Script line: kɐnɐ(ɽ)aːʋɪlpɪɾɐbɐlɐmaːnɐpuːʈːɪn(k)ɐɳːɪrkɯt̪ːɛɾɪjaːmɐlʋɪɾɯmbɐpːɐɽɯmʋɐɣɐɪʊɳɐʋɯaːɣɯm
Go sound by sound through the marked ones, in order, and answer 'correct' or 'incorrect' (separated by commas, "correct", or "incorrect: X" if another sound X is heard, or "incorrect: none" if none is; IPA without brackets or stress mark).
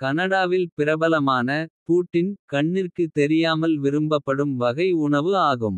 correct, correct